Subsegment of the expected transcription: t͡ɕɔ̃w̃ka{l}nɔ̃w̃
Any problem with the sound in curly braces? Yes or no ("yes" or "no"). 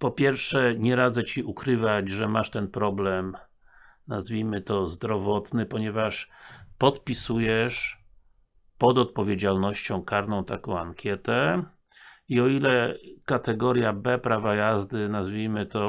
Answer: yes